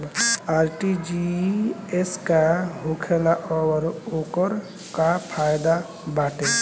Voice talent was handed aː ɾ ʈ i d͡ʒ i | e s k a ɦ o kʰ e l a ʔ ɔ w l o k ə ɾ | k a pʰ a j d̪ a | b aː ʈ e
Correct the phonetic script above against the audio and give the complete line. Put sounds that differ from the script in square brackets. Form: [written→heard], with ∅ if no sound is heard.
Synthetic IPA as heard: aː ɾ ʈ i d͡ʒ i | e s k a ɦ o kʰ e l a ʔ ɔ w [l→ɾ] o k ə ɾ | k a pʰ a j d̪ a | b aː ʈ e